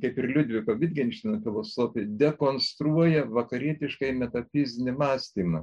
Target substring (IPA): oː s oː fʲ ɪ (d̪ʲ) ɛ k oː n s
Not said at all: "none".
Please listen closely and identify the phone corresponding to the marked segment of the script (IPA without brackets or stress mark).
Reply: d̪ʲ